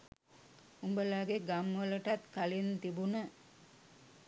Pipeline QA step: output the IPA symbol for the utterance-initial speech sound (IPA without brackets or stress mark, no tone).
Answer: u